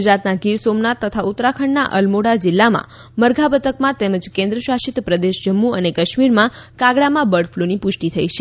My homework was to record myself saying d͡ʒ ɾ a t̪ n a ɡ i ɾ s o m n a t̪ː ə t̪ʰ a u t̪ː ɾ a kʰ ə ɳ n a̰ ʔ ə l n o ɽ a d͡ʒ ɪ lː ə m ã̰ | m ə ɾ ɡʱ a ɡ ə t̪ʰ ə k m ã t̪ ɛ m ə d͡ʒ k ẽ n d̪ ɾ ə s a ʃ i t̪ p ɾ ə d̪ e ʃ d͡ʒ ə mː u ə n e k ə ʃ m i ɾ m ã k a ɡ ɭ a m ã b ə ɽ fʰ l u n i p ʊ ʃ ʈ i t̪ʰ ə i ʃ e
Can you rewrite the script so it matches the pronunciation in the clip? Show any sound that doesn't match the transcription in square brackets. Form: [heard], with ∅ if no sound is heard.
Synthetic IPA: d͡ʒ ɾ a t̪ n a ɡ i ɾ s o m n a t̪ː ə t̪ʰ a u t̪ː ɾ a kʰ ə ɳ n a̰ ʔ ə l [m] o ɽ a d͡ʒ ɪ lː [a] m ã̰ | m ə ɾ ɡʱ a [b] ə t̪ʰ ə k m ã t̪ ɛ m ə d͡ʒ k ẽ n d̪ ɾ ə [ʃ] a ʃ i t̪ p ɾ ə d̪ e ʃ d͡ʒ ə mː u ə n e k ə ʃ m i ɾ m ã k a ɡ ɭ a m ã b ə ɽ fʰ l u n i p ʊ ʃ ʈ i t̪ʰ ə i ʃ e